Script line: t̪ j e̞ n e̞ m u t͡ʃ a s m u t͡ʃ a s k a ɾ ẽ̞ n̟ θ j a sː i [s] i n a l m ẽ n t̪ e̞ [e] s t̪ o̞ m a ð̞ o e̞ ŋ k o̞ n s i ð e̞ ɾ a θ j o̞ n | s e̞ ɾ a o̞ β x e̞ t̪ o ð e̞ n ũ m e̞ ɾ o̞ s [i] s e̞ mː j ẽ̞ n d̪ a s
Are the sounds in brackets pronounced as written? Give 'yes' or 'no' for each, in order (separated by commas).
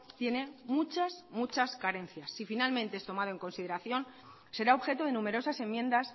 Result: no, yes, no